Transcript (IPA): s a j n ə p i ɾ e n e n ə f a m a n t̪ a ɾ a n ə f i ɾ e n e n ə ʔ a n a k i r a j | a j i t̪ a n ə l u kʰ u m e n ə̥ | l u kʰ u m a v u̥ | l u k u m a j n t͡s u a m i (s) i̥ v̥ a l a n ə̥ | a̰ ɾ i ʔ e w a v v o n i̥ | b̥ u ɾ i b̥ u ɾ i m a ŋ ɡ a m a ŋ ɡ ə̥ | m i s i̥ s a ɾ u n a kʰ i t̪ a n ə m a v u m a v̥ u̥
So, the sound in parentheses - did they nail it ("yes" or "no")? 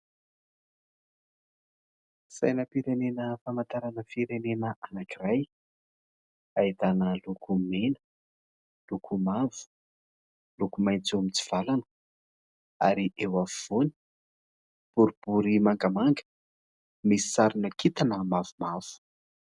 no